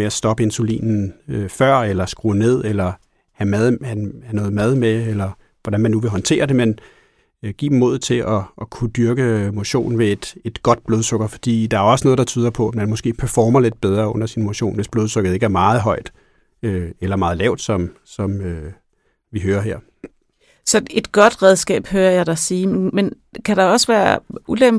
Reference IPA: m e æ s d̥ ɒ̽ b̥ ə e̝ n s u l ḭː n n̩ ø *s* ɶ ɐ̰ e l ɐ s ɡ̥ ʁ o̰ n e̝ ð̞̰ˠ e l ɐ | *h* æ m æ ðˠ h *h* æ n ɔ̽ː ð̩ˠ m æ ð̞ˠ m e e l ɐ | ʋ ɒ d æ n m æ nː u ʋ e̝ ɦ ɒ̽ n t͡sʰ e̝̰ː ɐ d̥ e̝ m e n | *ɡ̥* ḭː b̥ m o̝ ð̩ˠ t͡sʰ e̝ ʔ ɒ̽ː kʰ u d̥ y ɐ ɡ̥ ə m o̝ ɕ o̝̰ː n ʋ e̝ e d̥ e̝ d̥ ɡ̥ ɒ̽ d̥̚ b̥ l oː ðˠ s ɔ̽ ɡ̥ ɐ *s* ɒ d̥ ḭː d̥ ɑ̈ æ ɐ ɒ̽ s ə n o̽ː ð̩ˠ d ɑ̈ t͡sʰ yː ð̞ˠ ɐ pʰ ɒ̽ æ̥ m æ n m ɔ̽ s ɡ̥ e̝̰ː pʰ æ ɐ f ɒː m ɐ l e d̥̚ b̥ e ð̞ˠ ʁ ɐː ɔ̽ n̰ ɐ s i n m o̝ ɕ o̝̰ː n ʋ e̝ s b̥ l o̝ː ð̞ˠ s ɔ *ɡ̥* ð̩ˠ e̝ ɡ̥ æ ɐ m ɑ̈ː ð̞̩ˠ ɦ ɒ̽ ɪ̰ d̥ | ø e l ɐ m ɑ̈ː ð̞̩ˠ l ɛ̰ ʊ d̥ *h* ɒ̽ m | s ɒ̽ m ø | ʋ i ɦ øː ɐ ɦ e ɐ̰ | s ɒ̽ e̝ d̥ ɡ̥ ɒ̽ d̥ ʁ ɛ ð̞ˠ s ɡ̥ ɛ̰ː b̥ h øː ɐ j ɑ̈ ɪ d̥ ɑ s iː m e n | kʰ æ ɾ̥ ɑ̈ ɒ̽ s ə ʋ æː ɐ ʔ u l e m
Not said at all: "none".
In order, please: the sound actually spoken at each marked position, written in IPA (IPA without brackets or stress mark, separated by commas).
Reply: f, h, h, ɡ̥, f, ɡ̥, s